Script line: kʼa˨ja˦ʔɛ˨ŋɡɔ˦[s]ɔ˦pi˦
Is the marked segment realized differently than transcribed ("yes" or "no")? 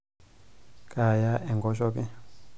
yes